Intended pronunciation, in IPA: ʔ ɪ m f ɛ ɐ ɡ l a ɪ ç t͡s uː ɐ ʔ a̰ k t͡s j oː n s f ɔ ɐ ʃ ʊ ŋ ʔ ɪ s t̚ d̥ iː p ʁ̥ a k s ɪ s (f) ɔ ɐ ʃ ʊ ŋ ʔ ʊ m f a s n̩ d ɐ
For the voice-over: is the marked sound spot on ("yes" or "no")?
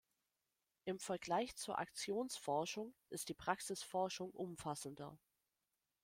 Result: yes